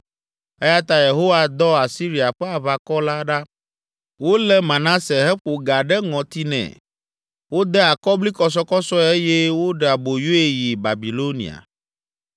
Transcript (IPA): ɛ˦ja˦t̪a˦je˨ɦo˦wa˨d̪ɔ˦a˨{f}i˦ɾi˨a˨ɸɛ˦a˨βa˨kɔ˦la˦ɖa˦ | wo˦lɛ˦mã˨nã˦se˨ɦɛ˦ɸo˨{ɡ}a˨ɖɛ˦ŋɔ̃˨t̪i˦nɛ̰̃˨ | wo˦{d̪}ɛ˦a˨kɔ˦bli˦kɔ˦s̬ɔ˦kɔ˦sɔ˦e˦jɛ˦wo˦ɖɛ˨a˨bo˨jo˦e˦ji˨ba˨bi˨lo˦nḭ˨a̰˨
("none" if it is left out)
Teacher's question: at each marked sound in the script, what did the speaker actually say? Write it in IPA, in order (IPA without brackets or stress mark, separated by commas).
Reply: s, ɡ, d̪